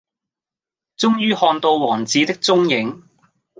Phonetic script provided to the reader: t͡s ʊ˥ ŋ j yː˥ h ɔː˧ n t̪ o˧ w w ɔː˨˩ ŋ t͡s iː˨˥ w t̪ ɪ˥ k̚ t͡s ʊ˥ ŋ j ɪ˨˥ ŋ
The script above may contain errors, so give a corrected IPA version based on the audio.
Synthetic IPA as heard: t͡s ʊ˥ ŋ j yː˥ h ɔː˧ n t̪ o˧ w w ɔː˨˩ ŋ t͡s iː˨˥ t̪ ɪ˥ k̚ t͡s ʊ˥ ŋ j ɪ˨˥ ŋ